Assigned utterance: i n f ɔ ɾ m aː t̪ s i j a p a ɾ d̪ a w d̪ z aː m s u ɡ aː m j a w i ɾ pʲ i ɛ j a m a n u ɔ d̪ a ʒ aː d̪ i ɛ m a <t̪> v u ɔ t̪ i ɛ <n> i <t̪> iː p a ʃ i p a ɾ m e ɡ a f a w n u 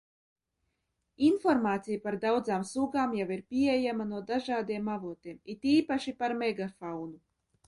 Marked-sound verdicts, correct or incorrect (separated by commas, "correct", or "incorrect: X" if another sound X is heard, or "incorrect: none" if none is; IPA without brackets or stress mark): incorrect: none, incorrect: m, correct